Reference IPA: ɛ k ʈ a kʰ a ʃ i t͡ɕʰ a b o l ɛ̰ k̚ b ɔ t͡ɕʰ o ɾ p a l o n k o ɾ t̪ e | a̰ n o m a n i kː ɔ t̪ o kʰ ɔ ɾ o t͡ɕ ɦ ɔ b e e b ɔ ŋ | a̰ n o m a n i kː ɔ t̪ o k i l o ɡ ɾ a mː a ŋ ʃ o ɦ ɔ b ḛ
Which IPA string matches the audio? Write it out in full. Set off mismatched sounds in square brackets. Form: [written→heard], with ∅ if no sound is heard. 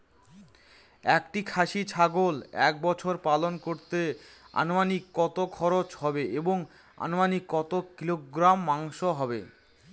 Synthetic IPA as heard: ɛ k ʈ [a→i] kʰ a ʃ i t͡ɕʰ a [b→ɡ] o l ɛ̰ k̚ b ɔ t͡ɕʰ o ɾ p a l o n k o ɾ t̪ e | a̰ n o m a n i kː ɔ t̪ o kʰ ɔ ɾ o t͡ɕ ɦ ɔ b e e b [ɔ→o] ŋ | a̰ n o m a n i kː ɔ t̪ o k i l o ɡ ɾ a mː a ŋ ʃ o ɦ ɔ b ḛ